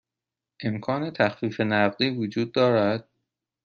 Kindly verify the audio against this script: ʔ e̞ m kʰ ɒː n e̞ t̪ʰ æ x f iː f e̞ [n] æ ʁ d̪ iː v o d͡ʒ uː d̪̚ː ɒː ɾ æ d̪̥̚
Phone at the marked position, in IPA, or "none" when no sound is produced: n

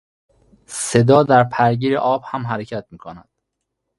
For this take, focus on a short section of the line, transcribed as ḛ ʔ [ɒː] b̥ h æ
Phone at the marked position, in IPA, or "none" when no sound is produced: ɒː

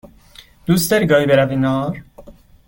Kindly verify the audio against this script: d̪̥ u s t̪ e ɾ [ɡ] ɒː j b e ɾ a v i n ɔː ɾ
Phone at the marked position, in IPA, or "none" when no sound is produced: ɡ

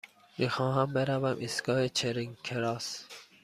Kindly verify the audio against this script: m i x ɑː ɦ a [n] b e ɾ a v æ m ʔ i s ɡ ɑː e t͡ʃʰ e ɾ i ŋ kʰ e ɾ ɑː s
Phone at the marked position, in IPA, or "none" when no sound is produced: m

